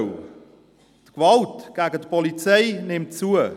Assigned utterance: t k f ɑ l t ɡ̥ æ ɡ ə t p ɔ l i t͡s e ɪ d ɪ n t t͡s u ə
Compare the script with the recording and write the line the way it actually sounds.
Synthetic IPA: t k v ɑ l t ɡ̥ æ ɡ ə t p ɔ l i t͡s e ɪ n ɪ m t t͡s u ə

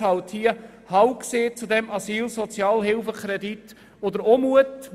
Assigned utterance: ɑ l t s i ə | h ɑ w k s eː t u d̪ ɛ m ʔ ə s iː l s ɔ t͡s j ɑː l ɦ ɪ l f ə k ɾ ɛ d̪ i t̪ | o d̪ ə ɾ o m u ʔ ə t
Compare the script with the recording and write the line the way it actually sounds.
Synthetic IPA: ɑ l t h i ə | h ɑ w k s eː t͡s u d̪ ɛ m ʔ ɑ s iː l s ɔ t͡s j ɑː l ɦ ɪ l f ə k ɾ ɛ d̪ i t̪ | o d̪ ə ɾ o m u ə t

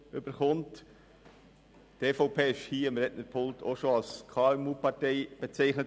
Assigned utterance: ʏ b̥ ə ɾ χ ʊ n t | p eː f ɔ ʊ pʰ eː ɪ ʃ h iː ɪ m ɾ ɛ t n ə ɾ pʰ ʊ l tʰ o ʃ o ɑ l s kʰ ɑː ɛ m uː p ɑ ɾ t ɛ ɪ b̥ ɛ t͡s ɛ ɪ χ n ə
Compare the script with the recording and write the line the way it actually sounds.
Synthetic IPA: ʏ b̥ ə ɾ χ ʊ n t | t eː f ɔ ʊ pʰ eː ɪ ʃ h iː ɪ m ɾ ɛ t n ə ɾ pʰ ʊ l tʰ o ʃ o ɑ l s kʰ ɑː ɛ m uː p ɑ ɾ t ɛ ɪ b̥ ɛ t͡s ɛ ɪ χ n ə

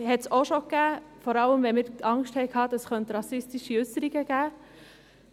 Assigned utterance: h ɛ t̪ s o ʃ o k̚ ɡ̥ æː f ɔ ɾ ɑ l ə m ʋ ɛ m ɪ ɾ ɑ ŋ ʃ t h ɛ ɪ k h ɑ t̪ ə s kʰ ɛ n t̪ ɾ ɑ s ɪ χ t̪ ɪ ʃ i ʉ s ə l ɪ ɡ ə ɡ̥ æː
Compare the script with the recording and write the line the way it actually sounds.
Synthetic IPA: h ɛ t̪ s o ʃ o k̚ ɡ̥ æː f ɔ ɾ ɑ l ə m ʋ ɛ m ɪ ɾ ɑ ŋ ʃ t h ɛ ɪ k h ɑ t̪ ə s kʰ œ n t̪ ɾ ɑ s ɪ s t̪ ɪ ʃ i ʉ s ə ɾ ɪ ɡ ə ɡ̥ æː

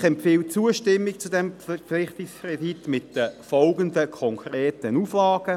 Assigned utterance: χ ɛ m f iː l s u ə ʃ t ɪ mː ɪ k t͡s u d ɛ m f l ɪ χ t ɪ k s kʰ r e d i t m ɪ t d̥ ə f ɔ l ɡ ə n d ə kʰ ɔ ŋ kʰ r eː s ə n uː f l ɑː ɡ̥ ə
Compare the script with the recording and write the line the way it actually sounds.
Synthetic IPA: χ ɛ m f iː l t͡s u ə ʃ t ɪ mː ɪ k t͡s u d ɛ m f l ɪ χ t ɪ k s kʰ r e d i t m ɪ t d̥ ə f ɔ l ɡ ə n d ə kʰ ɔ ŋ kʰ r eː t ə n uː f l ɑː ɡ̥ ə

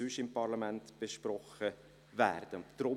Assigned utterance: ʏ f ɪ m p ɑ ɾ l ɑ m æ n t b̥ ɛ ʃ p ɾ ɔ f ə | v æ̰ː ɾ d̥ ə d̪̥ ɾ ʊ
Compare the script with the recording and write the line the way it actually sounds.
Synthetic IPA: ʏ ʃ ɪ m p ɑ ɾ l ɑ m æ n t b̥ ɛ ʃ p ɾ ɔ χ ə | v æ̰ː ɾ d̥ ə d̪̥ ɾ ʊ

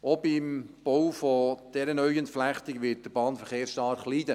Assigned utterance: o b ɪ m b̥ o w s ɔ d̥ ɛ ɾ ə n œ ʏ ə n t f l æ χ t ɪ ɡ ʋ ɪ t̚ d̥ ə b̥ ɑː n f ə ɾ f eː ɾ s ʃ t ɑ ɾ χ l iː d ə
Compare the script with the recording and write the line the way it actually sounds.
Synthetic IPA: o b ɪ m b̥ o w f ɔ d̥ ɛ ɾ ə n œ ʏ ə n t f l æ χ t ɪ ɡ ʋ ɪ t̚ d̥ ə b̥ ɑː n f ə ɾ χ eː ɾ s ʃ t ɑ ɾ χ l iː d ə

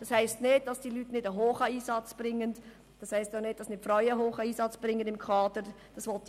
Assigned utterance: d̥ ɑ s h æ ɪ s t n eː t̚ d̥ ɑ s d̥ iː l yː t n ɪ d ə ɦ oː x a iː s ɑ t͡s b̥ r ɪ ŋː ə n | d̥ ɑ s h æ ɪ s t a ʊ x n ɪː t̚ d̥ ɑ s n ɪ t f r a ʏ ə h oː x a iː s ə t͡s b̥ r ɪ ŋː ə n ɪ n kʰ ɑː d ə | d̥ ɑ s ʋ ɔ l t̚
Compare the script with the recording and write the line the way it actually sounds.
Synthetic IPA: d̥ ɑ s h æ ɪ s t n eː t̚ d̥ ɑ s d̥ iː l yː t n ɪ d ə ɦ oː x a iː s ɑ t͡s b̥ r ɪ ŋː ə n | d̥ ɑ s h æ ɪ s t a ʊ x n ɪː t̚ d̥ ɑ s n ɪ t f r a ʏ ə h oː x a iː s ɑ t͡s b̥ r ɪ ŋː ə n ɪ m kʰ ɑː d ə | d̥ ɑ s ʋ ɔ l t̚

